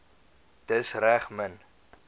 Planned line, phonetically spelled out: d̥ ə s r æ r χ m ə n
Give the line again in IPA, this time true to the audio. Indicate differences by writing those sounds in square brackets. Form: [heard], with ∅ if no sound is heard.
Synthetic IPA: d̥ ə s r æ [∅] χ m ə n

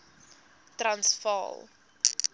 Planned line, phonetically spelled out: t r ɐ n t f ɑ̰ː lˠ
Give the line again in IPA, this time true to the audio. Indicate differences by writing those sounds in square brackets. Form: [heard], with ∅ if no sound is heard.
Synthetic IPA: t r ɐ n [s] f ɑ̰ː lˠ

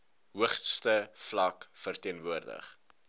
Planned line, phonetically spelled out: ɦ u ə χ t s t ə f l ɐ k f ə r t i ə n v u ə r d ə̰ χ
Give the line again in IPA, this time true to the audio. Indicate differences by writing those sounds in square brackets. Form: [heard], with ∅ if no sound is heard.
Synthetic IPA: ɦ u ə χ t s t ə f l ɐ k f ə r t i ə n v u ə r d ə̰ χ

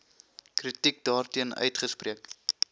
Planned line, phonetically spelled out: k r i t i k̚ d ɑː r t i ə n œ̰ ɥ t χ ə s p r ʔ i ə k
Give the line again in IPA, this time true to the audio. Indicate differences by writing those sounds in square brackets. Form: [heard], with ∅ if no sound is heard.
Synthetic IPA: k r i t i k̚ d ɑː r t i ə n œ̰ ɥ t χ ə s p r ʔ i ə k

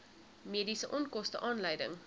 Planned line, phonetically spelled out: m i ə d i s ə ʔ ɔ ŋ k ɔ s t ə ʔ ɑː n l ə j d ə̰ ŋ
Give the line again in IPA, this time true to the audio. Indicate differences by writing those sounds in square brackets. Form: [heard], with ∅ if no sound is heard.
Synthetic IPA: m i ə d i s ə ʔ ɔ [n] k ɔ s t ə ʔ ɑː n l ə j d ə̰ ŋ

